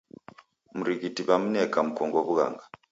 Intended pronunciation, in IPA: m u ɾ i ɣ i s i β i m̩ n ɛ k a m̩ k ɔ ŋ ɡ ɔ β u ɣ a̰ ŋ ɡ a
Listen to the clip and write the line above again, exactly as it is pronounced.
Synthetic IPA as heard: m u ɾ i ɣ i t i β a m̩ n ɛ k a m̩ k ɔ ŋ ɡ ɔ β u ɣ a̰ ŋ ɡ a